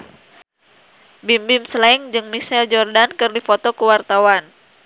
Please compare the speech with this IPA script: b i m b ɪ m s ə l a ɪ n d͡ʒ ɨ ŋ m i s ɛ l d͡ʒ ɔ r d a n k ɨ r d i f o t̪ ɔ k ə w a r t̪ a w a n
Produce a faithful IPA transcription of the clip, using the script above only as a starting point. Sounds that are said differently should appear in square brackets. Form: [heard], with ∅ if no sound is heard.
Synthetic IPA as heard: b i m b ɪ m s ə l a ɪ [ŋ] d͡ʒ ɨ ŋ m i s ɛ l d͡ʒ ɔ r d a n k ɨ r d i f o t̪ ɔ k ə w a r t̪ a w a n